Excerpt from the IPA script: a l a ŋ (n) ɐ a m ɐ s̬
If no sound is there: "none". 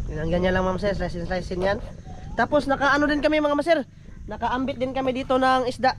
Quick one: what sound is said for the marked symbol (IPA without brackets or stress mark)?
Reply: m